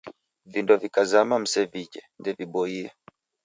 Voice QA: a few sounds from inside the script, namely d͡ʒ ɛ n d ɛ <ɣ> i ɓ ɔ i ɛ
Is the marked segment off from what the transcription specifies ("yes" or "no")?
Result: yes